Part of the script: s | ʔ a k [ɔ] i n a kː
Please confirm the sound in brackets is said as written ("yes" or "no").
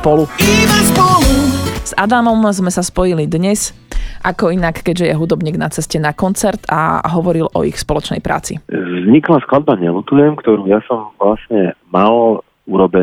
yes